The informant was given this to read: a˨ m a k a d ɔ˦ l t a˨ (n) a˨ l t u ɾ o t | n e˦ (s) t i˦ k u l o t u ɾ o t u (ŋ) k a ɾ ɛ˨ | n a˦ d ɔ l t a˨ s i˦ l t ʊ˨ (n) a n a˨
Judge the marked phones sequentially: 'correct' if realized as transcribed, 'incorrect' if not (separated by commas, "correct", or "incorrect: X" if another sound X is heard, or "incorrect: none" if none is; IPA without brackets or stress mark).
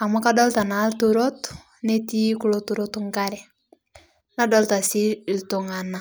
correct, incorrect: none, correct, incorrect: ŋ